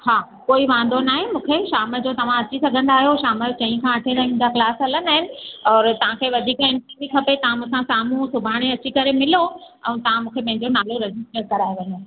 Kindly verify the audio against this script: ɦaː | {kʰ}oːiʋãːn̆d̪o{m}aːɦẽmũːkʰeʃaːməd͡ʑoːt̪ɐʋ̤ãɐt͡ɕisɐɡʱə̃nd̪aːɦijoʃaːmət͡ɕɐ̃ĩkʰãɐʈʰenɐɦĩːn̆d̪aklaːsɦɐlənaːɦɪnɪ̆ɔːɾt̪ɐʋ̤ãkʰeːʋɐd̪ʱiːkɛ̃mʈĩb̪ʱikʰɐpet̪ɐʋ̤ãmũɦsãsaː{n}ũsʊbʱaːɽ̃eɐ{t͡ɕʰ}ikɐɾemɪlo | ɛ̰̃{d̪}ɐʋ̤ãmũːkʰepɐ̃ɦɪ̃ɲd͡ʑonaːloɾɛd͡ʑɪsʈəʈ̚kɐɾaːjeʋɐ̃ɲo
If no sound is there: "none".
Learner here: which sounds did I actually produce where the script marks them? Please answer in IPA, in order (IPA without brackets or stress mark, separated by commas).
k, n, m, t͡ɕ, t̪